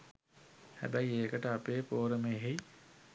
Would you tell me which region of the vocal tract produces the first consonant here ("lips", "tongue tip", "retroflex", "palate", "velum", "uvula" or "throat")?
throat